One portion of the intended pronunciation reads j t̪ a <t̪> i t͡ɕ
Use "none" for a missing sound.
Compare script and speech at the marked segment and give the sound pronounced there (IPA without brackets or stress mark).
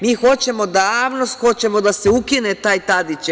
d̪